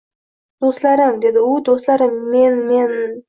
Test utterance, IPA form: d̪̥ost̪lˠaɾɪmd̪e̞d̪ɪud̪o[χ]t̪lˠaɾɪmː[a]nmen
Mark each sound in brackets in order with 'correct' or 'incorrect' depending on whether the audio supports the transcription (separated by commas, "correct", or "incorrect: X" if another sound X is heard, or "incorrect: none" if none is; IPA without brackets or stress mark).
incorrect: s, incorrect: e